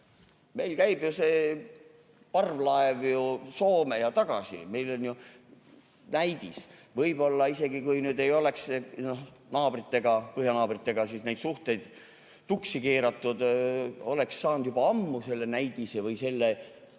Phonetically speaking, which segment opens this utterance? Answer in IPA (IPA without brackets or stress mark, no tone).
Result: m